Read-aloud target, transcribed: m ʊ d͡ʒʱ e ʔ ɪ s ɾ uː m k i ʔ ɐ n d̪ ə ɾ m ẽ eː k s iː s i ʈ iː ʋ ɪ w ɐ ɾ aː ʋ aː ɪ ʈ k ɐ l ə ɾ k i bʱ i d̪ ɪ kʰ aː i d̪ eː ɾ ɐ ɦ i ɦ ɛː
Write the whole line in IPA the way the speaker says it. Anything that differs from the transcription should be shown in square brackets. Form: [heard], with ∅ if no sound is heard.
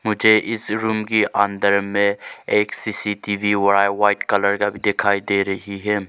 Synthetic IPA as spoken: m ʊ d͡ʒʱ e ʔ ɪ s ɾ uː m k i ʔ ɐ n d̪ ə ɾ m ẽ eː k s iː s i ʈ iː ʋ [i] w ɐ ɾ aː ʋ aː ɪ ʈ k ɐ l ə ɾ k [a] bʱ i d̪ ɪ kʰ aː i d̪ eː ɾ ɐ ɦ i ɦ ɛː